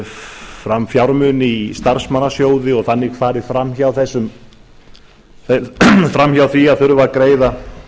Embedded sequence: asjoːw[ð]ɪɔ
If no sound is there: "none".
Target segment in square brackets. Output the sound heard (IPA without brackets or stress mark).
ð